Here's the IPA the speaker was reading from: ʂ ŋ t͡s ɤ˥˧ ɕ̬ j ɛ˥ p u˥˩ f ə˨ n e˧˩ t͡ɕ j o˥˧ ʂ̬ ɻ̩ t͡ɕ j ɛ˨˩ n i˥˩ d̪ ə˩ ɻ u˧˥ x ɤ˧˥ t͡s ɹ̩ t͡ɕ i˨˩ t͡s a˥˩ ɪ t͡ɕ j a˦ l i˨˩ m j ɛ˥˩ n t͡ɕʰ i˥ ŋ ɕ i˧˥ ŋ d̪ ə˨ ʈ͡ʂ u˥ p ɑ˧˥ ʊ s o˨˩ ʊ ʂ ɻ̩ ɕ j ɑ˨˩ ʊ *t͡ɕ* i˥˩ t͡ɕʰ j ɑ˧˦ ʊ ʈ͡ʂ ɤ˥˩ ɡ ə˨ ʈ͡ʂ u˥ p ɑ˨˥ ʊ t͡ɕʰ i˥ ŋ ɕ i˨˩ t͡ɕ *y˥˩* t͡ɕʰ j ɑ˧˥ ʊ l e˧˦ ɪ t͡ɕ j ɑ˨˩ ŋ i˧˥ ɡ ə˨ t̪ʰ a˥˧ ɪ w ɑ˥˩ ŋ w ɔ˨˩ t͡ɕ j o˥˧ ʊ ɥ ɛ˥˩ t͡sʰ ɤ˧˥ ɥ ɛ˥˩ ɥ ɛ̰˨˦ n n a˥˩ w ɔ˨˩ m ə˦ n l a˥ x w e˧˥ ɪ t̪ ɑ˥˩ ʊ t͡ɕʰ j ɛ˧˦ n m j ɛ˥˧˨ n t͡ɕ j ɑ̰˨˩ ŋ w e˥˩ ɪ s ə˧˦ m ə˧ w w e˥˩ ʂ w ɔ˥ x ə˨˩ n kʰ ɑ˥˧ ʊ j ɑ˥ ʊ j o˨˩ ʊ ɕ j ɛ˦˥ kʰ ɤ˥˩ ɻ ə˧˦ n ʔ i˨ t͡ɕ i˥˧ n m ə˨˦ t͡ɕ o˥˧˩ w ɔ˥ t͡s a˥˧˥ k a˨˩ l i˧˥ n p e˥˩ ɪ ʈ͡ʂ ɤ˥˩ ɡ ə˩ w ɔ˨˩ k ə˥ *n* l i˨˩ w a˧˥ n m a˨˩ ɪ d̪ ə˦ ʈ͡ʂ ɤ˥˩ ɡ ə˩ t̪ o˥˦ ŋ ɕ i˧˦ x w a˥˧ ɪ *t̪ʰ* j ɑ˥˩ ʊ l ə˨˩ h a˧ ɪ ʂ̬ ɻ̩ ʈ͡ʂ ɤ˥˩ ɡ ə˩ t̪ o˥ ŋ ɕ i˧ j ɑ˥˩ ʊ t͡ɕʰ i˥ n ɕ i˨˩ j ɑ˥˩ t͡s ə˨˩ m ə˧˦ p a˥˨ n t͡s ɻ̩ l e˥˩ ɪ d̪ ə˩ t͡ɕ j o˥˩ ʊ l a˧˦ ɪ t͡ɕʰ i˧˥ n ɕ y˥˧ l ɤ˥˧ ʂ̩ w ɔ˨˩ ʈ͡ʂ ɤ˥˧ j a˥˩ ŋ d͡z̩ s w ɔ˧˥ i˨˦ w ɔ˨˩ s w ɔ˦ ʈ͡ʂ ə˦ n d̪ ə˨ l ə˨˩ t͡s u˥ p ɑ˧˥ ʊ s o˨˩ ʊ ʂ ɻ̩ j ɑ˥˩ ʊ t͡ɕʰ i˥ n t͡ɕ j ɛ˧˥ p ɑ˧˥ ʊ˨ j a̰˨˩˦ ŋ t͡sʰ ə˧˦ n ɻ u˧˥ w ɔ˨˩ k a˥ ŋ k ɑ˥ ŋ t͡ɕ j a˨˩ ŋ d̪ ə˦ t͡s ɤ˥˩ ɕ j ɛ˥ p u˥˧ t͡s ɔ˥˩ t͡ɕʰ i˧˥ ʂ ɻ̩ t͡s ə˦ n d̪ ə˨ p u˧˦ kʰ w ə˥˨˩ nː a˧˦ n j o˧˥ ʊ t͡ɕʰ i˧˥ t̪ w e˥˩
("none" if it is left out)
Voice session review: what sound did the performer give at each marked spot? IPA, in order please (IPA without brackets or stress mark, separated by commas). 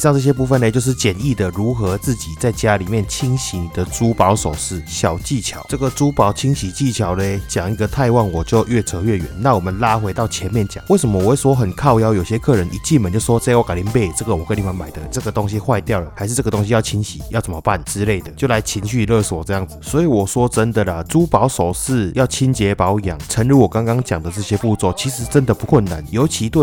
t͡ɕ, i˥˩, n, t̪